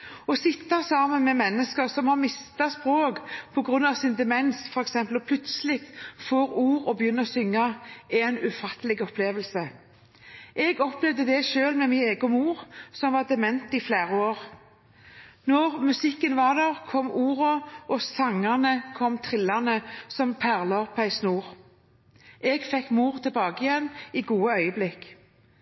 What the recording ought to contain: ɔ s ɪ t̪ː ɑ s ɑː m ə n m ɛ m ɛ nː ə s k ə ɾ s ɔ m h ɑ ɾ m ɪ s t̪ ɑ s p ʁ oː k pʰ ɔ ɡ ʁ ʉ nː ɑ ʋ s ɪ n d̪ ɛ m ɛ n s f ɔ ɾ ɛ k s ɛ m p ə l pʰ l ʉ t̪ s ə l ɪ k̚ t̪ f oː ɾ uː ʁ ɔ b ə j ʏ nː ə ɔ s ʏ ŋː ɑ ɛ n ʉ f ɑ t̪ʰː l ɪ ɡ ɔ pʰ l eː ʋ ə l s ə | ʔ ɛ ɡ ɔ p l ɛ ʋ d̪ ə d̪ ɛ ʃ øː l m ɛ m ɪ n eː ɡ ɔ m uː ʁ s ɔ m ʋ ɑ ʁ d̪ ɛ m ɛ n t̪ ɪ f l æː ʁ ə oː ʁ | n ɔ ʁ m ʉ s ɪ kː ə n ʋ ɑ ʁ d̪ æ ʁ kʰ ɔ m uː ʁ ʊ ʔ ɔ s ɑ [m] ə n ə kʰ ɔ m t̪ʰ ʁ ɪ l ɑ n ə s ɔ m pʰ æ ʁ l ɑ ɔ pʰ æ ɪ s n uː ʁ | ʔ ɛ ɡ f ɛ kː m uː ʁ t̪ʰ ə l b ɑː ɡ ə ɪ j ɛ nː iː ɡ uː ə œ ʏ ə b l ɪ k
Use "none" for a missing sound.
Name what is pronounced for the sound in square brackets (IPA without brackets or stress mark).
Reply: ŋ